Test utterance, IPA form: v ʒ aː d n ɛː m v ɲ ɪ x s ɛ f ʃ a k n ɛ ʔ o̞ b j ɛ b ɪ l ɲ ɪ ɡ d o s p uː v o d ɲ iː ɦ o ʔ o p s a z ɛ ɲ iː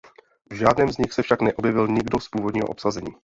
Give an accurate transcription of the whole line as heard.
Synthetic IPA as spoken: v ʒ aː d n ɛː m z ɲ ɪ x s ɛ f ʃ a k n ɛ ʔ o̞ b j ɛ v ɪ l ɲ ɪ ɡ d o s p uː v o d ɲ iː ɦ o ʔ o p s a z ɛ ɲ iː

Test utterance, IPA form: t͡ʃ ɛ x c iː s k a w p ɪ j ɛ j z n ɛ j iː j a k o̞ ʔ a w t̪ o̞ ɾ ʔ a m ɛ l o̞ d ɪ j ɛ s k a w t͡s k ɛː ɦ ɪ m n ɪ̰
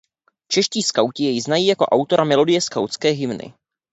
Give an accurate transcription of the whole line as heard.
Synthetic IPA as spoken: t͡ʃ ɛ ʃ c iː s k a w c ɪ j ɛ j z n a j iː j a k o̞ ʔ a w t̪ o̞ ɾ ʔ a m ɛ l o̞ d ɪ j ɛ s k a w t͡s k ɛː ɦ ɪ m n ɪ̰

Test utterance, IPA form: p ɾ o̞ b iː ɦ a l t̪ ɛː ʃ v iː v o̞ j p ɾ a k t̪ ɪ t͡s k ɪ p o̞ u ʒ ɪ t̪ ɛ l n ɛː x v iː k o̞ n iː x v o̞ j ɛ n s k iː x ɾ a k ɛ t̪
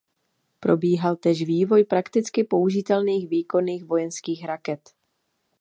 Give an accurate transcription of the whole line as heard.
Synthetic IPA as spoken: p ɾ o̞ b iː ɦ a l t̪ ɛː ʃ v iː v o̞ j p ɾ a k t̪ ɪ t͡s k ɪ p o̞ u ʒ ɪ t̪ ɛ l n iː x v iː k o̞ n iː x v o̞ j ɛ n s k iː x ɾ a k ɛ t̪

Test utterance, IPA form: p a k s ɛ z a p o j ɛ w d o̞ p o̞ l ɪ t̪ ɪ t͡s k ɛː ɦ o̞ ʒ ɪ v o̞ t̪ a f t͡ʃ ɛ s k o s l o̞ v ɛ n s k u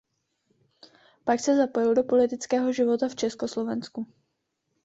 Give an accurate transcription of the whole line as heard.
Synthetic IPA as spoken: p a k s ɛ z a p o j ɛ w d o̞ p o̞ l ɪ t̪ ɪ t͡s k ɛː ɦ o̞ ʒ ɪ v o̞ t̪ a f t͡ʃ ɛ s k o s l o̞ v ɛ n s k u

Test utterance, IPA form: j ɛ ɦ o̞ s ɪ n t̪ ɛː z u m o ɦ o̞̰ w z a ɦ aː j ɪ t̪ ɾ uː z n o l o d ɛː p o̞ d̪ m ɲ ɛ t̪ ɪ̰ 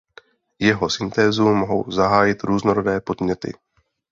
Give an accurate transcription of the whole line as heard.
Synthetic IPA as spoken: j ɛ ɦ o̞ s ɪ n t̪ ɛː z u m o ɦ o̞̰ w z a ɦ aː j ɪ t̪ ɾ uː z n o ɾ o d ɛː p o̞ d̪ m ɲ ɛ t̪ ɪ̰

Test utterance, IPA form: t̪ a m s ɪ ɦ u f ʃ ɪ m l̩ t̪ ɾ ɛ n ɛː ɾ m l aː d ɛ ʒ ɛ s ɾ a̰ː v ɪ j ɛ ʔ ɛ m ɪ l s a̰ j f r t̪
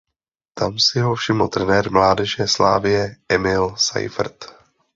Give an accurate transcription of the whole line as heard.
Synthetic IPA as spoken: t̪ a m s ɪ ɦ o f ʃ ɪ m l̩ t̪ ɾ ɛ n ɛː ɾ m l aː d ɛ ʒ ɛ s l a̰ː v ɪ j ɛ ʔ ɛ m ɪ l s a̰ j f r t̪

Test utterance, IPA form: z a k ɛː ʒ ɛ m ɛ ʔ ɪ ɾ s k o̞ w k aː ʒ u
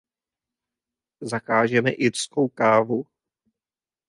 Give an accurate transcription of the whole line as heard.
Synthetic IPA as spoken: z a k aː ʒ ɛ m ɛ ʔ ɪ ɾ s k o̞ w k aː v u

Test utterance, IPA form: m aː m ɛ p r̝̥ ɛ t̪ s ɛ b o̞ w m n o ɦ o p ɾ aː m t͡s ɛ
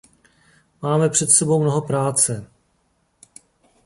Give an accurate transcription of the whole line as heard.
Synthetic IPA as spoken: m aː m ɛ p r̝̥ ɛ t̪ s ɛ b o̞ w m n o ɦ o p ɾ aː t͡s ɛ

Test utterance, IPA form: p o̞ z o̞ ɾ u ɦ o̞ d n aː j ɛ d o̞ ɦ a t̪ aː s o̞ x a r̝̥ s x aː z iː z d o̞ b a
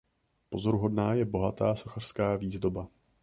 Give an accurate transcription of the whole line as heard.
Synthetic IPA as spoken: p o̞ z o̞ ɾ u ɦ o̞ d n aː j ɛ b o̞ ɦ a t̪ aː s o̞ x a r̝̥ s k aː v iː z d o̞ b a

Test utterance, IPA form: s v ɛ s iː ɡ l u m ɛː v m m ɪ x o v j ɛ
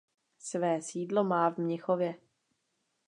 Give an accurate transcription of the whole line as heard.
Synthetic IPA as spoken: s v ɛː s iː d l o m aː v m ɲ ɪ x o v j ɛ

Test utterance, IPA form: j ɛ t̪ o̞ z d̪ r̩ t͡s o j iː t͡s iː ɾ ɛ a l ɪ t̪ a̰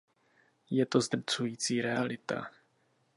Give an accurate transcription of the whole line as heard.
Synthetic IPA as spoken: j ɛ t̪ o̞ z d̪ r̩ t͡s u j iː t͡s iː ɾ ɛ a l ɪ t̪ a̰

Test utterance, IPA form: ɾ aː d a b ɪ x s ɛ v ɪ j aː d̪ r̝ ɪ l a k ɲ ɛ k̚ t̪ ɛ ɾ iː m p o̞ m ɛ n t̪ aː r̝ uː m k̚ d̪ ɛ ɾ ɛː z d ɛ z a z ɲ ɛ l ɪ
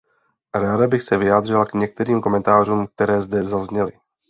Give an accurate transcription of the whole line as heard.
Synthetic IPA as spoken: ɾ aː d a b ɪ x s ɛ v ɪ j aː d̪ r̝ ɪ l a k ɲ ɛ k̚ t̪ ɛ ɾ iː m k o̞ m ɛ n t̪ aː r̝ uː m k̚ t̪ ɛ ɾ ɛː z d ɛ z a z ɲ ɛ l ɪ

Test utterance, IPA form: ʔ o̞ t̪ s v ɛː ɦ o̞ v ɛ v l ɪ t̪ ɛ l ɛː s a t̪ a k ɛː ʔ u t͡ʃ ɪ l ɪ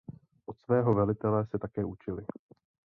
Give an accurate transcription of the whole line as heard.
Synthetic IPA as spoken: ʔ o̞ t̪ s v ɛː ɦ o̞ v ɛ l ɪ t̪ ɛ l ɛ s ɛ t̪ a k ɛː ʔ u t͡ʃ ɪ l ɪ

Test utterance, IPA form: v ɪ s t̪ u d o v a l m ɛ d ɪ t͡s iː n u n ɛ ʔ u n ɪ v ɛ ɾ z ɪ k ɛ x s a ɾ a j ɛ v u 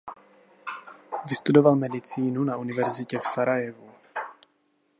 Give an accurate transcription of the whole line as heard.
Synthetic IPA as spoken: v ɪ s t̪ u d o v a l m ɛ d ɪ t͡s iː n u n a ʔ u n ɪ v ɛ ɾ z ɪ c ɛ f s a ɾ a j ɛ v u

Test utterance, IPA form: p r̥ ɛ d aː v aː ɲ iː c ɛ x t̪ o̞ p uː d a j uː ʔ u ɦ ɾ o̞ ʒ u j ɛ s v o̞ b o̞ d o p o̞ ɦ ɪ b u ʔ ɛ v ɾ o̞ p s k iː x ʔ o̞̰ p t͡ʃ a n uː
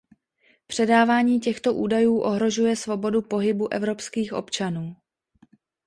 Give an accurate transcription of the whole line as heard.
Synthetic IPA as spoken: p r̥ ɛ d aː v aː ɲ iː c ɛ x t̪ o̞ ʔ uː d a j uː ʔ o ɦ ɾ o̞ ʒ u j ɛ s v o̞ b o̞ d u p o̞ ɦ ɪ b u ʔ ɛ v ɾ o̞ p s k iː x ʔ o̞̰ p t͡ʃ a n uː

